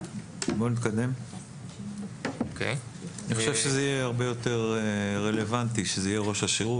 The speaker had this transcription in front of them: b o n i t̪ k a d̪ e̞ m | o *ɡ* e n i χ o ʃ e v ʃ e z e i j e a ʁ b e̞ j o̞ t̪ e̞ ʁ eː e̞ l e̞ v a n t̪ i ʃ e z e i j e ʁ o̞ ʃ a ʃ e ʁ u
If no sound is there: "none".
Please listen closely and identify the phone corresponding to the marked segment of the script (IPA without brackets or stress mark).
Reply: k